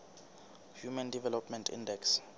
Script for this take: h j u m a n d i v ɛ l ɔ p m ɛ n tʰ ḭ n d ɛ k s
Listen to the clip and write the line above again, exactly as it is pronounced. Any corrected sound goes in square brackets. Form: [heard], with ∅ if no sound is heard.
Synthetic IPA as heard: h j u m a n d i v ɛ l ɔ p m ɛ n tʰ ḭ n d ɛ k s